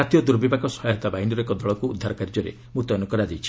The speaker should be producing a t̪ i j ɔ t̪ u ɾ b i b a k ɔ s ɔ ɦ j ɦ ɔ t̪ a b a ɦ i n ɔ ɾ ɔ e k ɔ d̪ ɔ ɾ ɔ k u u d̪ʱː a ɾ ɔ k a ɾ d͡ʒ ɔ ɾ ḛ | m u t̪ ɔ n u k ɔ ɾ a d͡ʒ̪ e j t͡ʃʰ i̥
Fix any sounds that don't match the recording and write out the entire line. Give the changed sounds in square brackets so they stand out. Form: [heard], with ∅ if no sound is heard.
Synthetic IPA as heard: a t̪ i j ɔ [d̪] u ɾ b i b a k ɔ s ɔ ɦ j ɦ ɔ t̪ a b a ɦ i n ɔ ɾ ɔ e k ɔ d̪ ɔ [ɭ] ɔ k u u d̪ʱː a ɾ ɔ k a ɾ d͡ʒ ɔ ɾ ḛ | m u t̪ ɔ n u k ɔ ɾ a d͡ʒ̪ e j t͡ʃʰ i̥

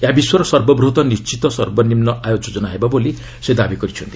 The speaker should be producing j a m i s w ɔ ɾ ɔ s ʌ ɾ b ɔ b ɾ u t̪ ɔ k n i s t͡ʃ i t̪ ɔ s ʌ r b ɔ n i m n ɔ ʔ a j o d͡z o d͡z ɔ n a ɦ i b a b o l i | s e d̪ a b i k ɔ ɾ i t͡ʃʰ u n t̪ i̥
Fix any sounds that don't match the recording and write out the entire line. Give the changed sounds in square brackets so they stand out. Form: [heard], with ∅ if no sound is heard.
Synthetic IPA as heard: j a [b] i s w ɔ ɾ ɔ s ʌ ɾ b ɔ b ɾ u t̪ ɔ [∅] n i s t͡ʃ i t̪ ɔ s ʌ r b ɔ n i m n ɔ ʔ a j o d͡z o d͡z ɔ n a ɦ [e] b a b o l i | s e d̪ a b i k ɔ ɾ i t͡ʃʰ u n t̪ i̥

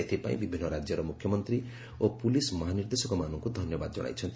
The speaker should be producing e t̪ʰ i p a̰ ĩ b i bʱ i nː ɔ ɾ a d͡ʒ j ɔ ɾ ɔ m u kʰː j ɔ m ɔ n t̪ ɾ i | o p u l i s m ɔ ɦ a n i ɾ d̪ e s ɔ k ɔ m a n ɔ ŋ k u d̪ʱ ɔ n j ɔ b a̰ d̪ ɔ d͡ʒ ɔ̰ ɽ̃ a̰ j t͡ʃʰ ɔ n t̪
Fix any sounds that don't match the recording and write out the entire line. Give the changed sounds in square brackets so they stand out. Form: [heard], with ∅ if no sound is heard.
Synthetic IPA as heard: e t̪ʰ i p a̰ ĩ b i bʱ i nː ɔ ɾ a d͡ʒ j ɔ ɾ ɔ m u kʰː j ɔ m ɔ n t̪ ɾ i | o p u l i s m ɔ ɦ a n i ɾ d̪ e s ɔ k ɔ m a n ɔ ŋ k u d̪ʱ ɔ n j ɔ b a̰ d̪ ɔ d͡ʒ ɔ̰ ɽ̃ a̰ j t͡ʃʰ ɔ n t̪

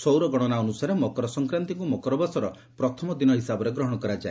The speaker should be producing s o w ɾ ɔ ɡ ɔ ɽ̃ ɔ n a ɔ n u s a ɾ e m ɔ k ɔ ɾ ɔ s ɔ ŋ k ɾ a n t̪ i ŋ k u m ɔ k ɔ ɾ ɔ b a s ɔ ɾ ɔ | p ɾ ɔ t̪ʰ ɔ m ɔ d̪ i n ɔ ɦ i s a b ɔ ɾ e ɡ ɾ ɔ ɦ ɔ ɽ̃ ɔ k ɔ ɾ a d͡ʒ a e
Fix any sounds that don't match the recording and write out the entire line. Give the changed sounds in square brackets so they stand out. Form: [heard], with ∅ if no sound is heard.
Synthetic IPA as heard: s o w ɾ ɔ ɡ ɔ ɽ̃ ɔ n a ɔ n u s a ɾ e m ɔ k ɔ ɾ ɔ s ɔ ŋ k ɾ a n t̪ i ŋ k u m ɔ k ɔ ɾ ɔ b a s ɔ ɾ ɔ | p ɾ ɔ t̪ʰ ɔ m ɔ d̪ i n ɔ ɦ i s a b ɔ ɾ e ɡ ɾ ɔ ɦ ɔ ɽ̃ ɔ k ɔ ɾ a d͡ʒ a e

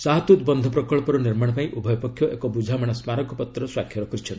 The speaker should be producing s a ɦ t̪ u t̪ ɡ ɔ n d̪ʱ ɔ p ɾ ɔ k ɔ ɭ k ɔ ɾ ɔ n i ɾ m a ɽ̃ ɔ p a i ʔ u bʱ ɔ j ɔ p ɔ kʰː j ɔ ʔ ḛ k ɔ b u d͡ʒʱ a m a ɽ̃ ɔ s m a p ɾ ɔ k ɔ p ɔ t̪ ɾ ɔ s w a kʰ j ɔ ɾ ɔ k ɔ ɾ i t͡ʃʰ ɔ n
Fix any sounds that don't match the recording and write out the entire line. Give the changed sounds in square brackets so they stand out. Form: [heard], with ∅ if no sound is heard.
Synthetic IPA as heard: s a ɦ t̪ u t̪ [b] ɔ n d̪ʱ ɔ p ɾ ɔ k ɔ ɭ [p] ɔ ɾ ɔ n i ɾ m a ɽ̃ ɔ p a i ʔ u bʱ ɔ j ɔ p ɔ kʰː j ɔ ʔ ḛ k ɔ b u d͡ʒʱ a m a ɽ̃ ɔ s m a [∅] ɾ ɔ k ɔ p ɔ t̪ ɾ ɔ s w a kʰ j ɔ ɾ ɔ k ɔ ɾ i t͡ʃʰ ɔ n

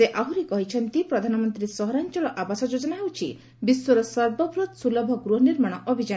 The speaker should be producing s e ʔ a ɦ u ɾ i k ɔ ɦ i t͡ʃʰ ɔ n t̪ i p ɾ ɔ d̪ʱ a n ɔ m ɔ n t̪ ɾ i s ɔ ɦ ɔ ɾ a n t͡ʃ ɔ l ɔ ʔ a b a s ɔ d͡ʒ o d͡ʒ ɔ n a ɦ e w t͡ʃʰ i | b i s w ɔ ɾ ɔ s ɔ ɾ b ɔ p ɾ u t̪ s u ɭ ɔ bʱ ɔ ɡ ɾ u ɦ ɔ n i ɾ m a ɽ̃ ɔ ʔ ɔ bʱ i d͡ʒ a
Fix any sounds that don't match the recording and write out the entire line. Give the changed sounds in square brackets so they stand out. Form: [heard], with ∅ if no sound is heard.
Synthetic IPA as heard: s e ʔ a ɦ u ɾ i k ɔ ɦ i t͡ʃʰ ɔ n t̪ i p ɾ ɔ d̪ʱ a n ɔ m ɔ n t̪ ɾ i s ɔ ɦ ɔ ɾ a n t͡ʃ ɔ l ɔ ʔ a b a s ɔ d͡ʒ o d͡ʒ ɔ n a ɦ e w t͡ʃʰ i | b i s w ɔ ɾ ɔ s ɔ ɾ b ɔ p ɾ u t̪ s u [l] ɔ bʱ ɔ ɡ ɾ u ɦ ɔ n i ɾ m a ɽ̃ ɔ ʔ ɔ bʱ i d͡ʒ a

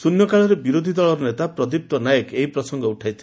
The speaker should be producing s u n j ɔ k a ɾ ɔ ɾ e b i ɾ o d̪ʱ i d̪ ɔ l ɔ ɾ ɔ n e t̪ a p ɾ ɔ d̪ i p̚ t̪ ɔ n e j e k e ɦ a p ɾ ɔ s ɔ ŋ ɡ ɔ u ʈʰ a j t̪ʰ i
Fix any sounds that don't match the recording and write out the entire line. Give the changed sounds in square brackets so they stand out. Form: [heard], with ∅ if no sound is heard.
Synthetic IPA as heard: s u n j ɔ k a [ɭ] ɔ ɾ e b i ɾ o d̪ʱ i d̪ ɔ [ɭ] ɔ ɾ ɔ n e t̪ a p ɾ ɔ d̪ i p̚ t̪ ɔ n [a] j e k e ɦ [i] p ɾ ɔ s ɔ ŋ ɡ ɔ u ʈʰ a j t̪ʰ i

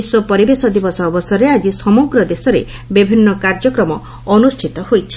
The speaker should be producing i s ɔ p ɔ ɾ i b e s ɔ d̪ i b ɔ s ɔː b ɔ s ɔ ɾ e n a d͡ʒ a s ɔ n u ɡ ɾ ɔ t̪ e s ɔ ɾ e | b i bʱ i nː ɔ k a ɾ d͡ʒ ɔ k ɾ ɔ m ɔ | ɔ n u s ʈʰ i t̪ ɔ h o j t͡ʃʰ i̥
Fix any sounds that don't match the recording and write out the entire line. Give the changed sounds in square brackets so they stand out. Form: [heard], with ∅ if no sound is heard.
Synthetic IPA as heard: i s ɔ p ɔ ɾ i b e s ɔ d̪ i b ɔ s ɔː b ɔ s ɔ ɾ e [∅] a d͡ʒ [i] s ɔ [m] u ɡ ɾ ɔ [d̪] e s ɔ ɾ e | b i bʱ i nː ɔ k a ɾ d͡ʒ ɔ k ɾ ɔ m ɔ | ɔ n u s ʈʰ i t̪ ɔ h o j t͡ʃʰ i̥

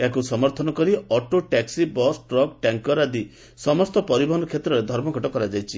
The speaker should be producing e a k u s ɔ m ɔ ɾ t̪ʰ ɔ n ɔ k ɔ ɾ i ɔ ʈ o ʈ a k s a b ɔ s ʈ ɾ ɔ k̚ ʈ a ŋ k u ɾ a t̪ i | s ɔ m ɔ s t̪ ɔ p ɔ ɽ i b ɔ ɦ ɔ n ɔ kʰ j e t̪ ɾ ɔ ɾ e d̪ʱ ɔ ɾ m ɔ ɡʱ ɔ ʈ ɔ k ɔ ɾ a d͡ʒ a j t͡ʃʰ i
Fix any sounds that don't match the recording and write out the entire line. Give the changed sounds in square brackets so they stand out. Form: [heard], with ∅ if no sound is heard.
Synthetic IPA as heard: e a k u s ɔ m ɔ ɾ t̪ʰ ɔ n ɔ k ɔ ɾ i ɔ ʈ o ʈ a k s [i] b ɔ s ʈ ɾ ɔ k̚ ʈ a ŋ k [ɔ] ɾ a [d̪] i | s ɔ m ɔ s t̪ ɔ p ɔ [ɾ] i b ɔ ɦ ɔ n ɔ kʰ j e t̪ ɾ ɔ ɾ e d̪ʱ ɔ ɾ m ɔ ɡʱ ɔ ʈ ɔ k ɔ ɾ a d͡ʒ a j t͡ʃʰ i

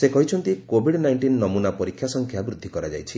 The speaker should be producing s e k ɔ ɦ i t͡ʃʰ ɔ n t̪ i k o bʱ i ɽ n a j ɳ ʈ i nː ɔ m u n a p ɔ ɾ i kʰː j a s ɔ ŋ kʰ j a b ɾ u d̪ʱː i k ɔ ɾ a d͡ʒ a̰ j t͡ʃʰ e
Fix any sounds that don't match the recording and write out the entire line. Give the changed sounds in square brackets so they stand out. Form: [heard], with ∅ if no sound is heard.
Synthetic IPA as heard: s e k ɔ ɦ i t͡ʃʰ ɔ n t̪ i k o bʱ i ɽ n a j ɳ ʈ i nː ɔ m u n a p ɔ ɾ i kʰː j a s ɔ ŋ kʰ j a b ɾ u d̪ʱː i k ɔ ɾ a d͡ʒ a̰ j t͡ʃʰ [i]

